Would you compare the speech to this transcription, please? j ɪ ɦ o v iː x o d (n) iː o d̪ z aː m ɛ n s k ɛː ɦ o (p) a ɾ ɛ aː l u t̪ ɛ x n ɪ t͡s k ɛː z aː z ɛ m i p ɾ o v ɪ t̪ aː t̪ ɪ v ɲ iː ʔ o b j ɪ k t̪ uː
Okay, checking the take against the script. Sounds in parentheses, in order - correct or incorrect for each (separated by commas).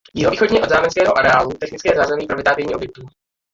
incorrect, incorrect